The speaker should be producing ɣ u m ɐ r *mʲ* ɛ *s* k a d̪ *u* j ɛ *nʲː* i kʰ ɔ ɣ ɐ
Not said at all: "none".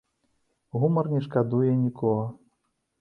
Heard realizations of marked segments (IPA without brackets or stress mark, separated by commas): nʲ, ʂ, u, nʲ